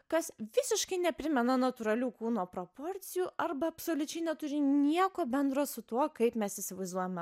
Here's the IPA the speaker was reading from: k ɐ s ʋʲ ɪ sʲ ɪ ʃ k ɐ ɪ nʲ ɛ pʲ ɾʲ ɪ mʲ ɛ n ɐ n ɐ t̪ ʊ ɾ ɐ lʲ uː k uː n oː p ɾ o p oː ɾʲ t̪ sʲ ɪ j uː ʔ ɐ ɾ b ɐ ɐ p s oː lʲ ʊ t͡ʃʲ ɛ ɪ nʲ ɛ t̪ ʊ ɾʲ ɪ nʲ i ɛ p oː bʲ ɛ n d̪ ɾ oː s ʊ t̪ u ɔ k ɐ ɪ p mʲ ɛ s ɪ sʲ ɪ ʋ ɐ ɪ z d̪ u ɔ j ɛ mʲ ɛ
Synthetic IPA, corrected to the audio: k ɐ s ʋʲ ɪ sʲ ɪ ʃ k ɐ ɪ nʲ ɛ pʲ ɾʲ ɪ mʲ ɛ n ɐ n ɐ t̪ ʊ ɾ ɐ lʲ uː k uː n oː p ɾ o p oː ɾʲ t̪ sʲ ɪ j uː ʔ ɐ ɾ b ɐ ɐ p s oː lʲ ʊ t͡ʃʲ ɛ ɪ nʲ ɛ t̪ ʊ ɾʲ ɪ nʲ i ɛ k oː bʲ ɛ n d̪ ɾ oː s ʊ t̪ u ɔ k ɐ ɪ p mʲ ɛ s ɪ sʲ ɪ ʋ ɐ ɪ z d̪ u ɔ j ɛ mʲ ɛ